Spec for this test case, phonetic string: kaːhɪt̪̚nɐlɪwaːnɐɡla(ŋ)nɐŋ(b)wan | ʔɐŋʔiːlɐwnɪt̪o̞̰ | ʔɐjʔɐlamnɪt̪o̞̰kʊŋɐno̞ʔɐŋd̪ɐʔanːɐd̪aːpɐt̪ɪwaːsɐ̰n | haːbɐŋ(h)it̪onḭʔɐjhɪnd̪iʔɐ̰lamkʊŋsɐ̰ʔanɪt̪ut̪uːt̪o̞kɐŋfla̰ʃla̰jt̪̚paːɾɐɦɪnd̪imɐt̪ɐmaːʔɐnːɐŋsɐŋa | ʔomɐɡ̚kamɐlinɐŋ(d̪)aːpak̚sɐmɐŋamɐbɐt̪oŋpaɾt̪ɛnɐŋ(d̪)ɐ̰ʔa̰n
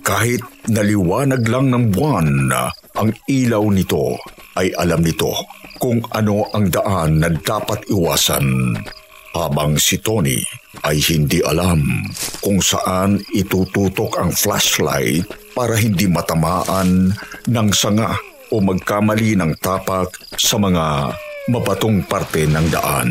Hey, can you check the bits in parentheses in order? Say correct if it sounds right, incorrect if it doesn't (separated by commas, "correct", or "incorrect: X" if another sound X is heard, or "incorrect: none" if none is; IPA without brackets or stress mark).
correct, correct, incorrect: s, incorrect: t̪, correct